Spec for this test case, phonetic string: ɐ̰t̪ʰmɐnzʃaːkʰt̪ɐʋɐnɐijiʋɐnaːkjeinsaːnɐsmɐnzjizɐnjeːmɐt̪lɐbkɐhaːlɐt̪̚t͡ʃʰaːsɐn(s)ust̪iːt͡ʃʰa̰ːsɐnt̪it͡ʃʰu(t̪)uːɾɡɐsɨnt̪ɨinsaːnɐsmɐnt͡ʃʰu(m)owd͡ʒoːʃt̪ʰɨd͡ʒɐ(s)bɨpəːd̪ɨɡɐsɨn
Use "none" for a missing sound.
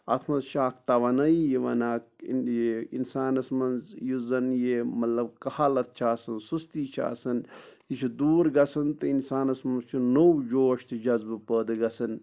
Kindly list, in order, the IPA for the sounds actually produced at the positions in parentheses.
s, d̪, n, z

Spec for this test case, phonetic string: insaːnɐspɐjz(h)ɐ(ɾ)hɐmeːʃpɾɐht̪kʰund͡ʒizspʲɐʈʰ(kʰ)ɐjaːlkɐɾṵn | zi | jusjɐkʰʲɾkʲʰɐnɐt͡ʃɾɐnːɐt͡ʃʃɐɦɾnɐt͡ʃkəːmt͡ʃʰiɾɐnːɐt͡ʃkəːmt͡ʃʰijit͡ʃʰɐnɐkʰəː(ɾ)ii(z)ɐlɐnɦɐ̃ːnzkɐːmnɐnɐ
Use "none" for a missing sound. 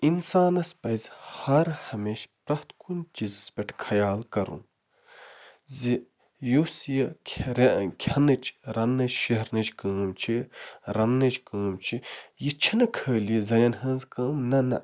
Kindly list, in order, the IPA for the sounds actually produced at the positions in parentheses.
h, ɾ, kʰ, l, z

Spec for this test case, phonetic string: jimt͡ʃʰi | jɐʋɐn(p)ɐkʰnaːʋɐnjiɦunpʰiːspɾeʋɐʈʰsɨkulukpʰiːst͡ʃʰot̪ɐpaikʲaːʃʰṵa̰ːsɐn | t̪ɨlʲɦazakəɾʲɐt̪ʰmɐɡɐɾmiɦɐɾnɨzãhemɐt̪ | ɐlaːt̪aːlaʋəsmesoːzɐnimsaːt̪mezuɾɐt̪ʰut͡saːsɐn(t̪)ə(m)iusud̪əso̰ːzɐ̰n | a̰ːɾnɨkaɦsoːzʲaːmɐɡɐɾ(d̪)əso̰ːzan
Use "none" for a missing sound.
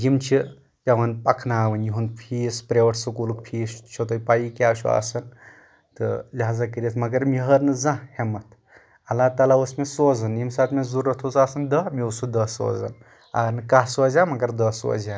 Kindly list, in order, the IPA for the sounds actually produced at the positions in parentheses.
p, d̪, m, d̪

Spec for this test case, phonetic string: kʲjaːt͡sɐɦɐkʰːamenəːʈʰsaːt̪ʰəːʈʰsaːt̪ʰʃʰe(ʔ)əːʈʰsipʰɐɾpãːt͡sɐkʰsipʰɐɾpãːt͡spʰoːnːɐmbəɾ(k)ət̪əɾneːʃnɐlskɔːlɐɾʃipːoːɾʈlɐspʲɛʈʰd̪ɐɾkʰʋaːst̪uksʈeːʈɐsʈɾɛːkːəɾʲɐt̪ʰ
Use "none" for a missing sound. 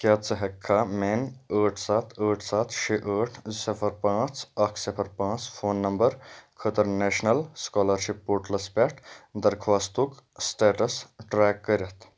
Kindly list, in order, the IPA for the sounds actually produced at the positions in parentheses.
ʔ, kʰ

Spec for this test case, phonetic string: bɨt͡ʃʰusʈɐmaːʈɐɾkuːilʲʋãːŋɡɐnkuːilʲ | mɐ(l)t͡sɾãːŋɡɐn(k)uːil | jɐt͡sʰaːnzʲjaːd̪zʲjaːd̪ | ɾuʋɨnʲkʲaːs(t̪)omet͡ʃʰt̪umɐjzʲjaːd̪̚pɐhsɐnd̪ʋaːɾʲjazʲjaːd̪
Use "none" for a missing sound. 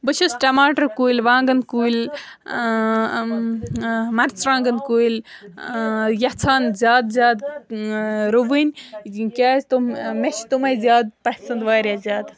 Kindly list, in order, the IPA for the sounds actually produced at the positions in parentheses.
ɾ, k, t̪

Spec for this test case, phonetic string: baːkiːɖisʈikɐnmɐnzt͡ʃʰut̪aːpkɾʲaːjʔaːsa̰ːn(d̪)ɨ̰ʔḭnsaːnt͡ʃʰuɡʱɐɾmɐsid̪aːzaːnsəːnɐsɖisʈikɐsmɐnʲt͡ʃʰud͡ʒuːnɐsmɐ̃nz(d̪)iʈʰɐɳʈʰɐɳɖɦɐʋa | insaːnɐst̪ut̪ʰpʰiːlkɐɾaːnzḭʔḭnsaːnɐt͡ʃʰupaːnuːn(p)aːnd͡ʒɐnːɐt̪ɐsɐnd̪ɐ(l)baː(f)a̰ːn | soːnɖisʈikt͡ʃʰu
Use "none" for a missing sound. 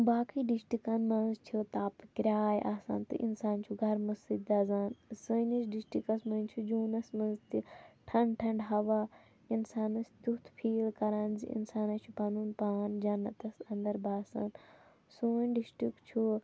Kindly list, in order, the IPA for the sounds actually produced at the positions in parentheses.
t̪, t̪, p, ɾ, s

